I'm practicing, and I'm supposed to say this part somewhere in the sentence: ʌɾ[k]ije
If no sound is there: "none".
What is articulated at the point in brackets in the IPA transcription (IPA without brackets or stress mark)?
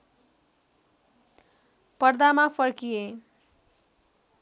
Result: k